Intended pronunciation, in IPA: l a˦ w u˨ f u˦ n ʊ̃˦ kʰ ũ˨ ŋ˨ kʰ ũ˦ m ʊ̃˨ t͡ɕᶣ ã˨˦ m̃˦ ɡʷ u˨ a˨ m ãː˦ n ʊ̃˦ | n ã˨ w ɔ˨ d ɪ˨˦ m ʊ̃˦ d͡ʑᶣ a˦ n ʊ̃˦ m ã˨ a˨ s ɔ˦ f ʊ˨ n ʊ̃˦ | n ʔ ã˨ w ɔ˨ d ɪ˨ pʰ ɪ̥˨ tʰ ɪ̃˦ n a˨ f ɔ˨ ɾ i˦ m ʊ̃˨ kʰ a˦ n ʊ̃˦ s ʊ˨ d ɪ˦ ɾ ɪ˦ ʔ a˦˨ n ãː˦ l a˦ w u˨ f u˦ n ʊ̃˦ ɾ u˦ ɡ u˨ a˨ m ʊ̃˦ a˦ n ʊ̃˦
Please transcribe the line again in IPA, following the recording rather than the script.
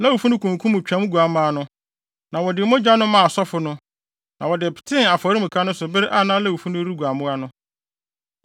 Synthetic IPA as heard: l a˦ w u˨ f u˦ n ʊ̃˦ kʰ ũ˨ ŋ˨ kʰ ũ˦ m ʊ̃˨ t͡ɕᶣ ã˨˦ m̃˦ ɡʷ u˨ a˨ m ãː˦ n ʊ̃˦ | n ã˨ w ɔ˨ d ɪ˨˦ m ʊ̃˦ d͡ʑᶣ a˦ n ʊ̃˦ m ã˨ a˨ s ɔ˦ f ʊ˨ n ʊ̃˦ | n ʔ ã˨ w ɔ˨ d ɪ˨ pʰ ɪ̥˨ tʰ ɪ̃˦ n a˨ f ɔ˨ ɾ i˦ m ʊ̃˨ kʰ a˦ n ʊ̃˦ s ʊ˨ b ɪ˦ ɾ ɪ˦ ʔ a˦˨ n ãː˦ l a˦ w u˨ f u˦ n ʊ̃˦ ɾ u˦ ɡ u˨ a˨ m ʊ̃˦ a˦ n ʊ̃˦

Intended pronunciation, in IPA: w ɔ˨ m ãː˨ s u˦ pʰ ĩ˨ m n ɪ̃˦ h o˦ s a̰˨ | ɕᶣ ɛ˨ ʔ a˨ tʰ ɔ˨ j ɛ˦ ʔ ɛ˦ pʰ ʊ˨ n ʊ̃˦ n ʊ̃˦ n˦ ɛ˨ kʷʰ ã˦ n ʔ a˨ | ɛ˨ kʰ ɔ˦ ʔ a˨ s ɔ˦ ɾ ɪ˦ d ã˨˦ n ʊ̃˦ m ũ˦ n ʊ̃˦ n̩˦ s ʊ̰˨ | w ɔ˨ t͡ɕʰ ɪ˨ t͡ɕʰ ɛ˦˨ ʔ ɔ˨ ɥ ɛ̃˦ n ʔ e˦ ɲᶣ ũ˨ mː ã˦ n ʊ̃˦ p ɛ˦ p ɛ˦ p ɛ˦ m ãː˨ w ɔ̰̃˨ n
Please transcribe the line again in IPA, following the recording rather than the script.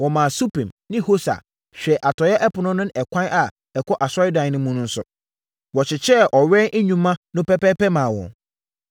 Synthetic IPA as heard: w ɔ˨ m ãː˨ s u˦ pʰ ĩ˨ m n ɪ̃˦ h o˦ s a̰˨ | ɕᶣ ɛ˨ ʔ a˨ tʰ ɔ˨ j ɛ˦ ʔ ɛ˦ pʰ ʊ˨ n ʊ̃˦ n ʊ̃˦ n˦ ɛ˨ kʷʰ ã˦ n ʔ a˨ | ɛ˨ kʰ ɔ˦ ʔ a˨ s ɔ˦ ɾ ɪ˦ d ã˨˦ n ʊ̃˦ m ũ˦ n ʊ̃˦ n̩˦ s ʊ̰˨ | w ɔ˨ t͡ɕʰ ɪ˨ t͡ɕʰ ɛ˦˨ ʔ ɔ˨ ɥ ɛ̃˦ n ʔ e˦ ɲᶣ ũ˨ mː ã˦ n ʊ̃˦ p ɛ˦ p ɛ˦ p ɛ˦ m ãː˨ w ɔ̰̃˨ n

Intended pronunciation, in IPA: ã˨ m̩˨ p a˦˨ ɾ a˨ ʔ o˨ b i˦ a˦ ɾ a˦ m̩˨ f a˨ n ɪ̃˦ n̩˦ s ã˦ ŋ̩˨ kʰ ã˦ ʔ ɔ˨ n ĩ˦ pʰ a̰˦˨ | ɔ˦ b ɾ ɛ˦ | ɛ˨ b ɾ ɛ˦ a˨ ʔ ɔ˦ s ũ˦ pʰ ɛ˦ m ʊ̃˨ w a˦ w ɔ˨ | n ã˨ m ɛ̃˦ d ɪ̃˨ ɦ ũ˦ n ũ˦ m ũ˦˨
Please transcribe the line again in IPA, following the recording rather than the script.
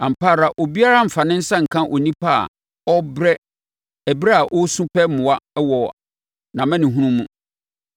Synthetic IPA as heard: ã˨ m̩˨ p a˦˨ ɾ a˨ ʔ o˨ b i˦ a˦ ɾ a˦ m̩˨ f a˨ n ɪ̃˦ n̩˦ s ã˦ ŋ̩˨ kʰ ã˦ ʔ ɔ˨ n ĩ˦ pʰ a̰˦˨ | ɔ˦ b ɾ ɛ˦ | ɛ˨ b ɾ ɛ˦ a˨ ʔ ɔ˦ s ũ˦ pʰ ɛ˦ m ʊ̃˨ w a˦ w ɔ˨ | n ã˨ m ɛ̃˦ n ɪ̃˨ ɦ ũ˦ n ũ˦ m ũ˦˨

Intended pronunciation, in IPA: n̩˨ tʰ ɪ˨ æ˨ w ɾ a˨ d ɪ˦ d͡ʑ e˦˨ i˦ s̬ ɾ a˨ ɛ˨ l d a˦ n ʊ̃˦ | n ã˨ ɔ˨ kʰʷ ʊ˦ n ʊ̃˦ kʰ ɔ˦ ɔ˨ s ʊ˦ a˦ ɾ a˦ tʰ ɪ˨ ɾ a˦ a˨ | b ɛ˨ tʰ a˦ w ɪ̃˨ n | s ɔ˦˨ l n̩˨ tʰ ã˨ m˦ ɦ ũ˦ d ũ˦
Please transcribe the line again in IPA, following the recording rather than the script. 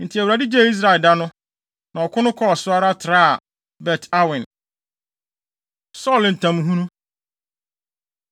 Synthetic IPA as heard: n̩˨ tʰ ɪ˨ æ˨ w ɾ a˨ d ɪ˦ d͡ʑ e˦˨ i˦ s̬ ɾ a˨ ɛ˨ l d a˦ n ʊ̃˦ | n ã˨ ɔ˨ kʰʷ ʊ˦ n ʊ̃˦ kʰ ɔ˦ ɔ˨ s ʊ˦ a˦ ɾ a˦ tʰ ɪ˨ ɾ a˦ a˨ | b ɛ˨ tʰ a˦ w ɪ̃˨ n | s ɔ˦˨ l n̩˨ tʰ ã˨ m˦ ɦ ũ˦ n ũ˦

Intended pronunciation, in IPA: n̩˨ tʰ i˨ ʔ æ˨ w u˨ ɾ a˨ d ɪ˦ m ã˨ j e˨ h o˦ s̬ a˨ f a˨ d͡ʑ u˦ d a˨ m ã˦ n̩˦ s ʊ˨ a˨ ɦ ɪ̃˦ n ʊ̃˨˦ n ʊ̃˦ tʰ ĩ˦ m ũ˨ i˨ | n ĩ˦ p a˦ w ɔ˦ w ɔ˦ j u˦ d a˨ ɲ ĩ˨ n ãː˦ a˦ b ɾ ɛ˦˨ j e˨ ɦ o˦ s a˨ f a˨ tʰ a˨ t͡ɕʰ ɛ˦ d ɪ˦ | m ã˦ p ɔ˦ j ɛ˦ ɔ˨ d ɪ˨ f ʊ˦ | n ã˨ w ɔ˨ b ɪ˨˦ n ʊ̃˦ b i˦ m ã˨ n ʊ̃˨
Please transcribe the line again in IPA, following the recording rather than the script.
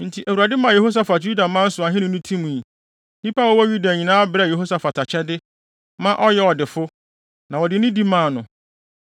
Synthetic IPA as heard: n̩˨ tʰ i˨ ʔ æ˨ w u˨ ɾ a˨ d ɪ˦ m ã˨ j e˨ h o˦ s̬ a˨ f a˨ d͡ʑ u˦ d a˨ m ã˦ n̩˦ s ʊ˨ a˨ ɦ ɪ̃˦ n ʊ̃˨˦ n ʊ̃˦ tʰ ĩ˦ m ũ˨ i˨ | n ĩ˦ p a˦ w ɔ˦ w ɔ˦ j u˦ d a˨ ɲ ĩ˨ n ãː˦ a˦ b ɾ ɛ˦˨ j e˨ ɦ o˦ s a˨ f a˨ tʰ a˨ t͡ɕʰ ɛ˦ d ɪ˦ | m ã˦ ʔ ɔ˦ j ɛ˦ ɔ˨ d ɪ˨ f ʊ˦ | n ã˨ w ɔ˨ d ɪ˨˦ n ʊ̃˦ d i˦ m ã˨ n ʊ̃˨

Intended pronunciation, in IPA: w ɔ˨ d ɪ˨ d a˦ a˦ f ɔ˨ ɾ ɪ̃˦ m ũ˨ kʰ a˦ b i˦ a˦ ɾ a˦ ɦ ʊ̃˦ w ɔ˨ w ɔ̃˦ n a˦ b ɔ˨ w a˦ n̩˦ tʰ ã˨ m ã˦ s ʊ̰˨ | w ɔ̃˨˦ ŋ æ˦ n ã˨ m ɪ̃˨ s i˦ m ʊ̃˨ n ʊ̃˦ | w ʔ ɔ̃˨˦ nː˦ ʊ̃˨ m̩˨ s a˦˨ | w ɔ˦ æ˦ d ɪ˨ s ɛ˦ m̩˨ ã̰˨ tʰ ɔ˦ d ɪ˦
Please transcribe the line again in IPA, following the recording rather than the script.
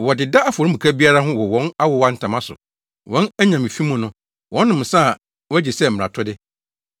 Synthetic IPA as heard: w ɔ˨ d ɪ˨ d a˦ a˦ f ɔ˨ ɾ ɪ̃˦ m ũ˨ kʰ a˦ b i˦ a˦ ɾ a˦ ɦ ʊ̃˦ w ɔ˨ w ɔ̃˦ n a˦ w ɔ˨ w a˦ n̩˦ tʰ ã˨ m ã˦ s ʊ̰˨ | w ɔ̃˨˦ n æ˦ ɲ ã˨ m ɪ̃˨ f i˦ m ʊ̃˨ n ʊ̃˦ | w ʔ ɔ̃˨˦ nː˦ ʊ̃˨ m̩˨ s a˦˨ | w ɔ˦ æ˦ d͡ʑ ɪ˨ s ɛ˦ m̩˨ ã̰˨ tʰ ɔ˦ d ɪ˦

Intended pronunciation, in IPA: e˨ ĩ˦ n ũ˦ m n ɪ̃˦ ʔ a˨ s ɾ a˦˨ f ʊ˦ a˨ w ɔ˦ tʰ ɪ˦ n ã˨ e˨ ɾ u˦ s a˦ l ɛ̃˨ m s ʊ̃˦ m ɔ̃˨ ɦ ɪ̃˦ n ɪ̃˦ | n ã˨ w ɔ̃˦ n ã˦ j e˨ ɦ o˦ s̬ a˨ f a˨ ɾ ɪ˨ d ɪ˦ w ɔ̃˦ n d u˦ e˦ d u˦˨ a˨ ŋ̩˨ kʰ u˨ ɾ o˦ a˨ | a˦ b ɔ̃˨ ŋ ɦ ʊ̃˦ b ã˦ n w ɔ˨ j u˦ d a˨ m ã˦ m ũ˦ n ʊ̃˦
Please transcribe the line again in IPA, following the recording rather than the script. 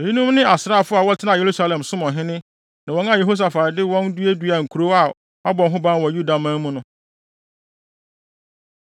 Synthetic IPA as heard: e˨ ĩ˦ n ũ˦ m n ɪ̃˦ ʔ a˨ s ɾ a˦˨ f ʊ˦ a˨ w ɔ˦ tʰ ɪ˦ n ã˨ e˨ ɾ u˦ s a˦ l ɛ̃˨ m s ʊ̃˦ m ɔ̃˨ ɦ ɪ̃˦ n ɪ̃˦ | n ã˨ w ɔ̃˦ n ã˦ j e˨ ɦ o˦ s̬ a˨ f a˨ ɾ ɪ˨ d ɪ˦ w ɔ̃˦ n d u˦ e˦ d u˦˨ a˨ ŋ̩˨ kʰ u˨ ɾ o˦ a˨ | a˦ b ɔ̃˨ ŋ ɦ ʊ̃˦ b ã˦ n w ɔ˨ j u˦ d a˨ m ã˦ m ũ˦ n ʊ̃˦

